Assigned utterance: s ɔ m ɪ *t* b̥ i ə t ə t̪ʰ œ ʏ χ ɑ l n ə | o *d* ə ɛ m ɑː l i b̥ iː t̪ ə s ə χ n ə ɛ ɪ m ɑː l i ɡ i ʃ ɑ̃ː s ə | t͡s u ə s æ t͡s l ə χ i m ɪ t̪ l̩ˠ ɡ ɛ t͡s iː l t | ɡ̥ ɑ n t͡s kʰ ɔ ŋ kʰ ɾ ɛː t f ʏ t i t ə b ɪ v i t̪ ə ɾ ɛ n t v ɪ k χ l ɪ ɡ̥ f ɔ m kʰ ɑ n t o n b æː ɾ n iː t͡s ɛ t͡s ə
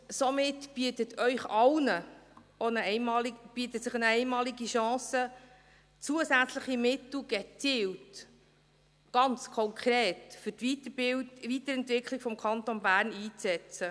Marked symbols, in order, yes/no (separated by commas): yes, no